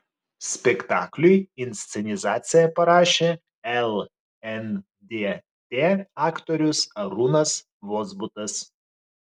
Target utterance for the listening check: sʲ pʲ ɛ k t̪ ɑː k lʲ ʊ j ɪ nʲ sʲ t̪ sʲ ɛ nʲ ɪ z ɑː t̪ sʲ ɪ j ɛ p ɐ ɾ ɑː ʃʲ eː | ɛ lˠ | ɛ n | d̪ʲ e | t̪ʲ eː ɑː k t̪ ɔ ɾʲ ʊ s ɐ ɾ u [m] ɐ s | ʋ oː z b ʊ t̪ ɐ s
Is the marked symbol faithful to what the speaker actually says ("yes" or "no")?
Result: no